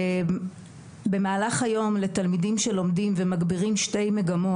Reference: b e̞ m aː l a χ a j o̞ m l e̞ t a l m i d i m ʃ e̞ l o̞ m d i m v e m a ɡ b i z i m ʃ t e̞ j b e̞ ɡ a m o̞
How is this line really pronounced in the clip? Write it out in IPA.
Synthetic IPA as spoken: b e̞ m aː l a χ a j o̞ m l e̞ t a l m i d i m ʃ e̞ l o̞ m d i m v e m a ɡ b i ʁ i m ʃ t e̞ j m e̞ ɡ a m o̞